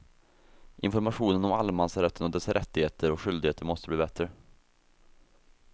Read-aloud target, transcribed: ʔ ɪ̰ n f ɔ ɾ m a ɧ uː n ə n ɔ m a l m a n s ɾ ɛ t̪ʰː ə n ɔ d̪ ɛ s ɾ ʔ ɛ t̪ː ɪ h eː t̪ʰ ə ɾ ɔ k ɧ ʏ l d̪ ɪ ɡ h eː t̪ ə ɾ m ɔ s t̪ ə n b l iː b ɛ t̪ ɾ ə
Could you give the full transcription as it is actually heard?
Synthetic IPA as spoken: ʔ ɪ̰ n f ɔ ɾ m a ɧ uː n ə n ɔ m a l m a n s ɾ ɛ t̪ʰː ə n ɔ d̪ ɛ s ɾ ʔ ɛ t̪ː ɪ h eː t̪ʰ ə ɾ ɔ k ɧ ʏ l d̪ ɪ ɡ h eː t̪ ə ɾ m ɔ s t̪ ə b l iː b ɛ t̪ ɾ ə